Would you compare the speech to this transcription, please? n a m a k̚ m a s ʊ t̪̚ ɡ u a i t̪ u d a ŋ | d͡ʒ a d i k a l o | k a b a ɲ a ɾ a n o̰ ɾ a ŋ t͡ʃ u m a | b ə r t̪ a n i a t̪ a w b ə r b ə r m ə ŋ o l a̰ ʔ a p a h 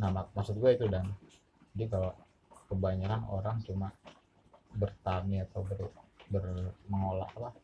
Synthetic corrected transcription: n a m a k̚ m a s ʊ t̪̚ ɡ u a i t̪ u d a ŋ | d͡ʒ a d i k a l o | k ə b a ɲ a ɾ a n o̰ ɾ a ŋ t͡ʃ u m a | b ə r t̪ a n i a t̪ a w b ə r b ə r m ə ŋ o l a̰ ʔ a p a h